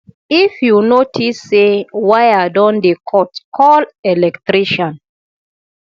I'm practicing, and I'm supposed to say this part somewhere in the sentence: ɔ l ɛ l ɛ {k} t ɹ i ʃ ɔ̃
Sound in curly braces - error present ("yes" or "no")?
no